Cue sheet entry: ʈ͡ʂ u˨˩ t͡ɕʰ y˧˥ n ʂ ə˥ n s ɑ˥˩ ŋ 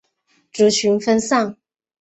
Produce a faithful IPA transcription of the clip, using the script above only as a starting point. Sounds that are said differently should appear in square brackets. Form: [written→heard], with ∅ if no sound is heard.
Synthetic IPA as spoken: ʈ͡ʂ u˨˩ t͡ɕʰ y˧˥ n [ʂ→f] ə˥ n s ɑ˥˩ ŋ